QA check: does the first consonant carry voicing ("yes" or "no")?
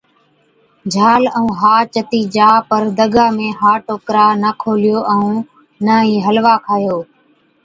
yes